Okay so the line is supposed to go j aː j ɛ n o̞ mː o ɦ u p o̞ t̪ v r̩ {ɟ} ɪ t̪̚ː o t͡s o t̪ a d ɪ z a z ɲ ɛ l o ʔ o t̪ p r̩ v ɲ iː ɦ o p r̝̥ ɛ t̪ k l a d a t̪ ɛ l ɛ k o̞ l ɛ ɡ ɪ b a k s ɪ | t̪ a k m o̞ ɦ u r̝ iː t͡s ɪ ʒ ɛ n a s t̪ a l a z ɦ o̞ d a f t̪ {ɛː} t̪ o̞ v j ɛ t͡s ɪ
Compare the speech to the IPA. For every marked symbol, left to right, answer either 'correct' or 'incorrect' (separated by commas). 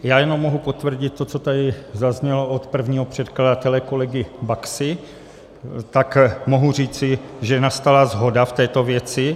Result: correct, correct